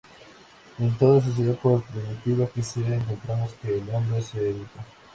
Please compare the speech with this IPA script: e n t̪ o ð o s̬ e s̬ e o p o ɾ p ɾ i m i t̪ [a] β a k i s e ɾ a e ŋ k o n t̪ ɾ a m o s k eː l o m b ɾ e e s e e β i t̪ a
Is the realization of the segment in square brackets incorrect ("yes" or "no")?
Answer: yes